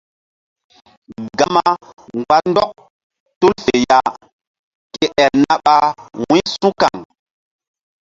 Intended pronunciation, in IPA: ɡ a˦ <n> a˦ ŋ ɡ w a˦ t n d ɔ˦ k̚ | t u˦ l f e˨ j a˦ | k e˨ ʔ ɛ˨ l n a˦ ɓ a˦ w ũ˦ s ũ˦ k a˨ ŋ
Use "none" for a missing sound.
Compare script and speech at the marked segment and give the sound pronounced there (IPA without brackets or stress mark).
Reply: m